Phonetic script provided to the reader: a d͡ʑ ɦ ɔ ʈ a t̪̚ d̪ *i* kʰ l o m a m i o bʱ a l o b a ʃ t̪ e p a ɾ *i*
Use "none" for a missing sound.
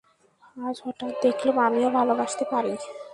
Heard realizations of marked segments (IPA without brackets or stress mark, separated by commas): e, i